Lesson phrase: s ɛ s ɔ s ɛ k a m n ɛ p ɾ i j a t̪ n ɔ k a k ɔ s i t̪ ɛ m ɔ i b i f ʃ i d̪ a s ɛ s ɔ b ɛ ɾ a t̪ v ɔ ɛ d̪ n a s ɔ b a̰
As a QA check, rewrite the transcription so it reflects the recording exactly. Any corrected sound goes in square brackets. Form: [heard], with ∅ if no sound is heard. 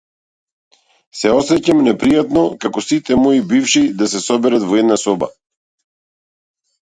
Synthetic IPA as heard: s ɛ [∅] ɔ s ɛ [c] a m n ɛ p ɾ i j a t̪ n ɔ k a k ɔ s i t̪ ɛ m ɔ i b i f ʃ i d̪ a s ɛ s ɔ b ɛ ɾ a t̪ v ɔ ɛ d̪ n a s ɔ b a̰